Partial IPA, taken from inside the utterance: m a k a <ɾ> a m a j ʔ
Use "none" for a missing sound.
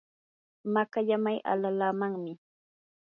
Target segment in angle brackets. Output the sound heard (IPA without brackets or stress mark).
ʎ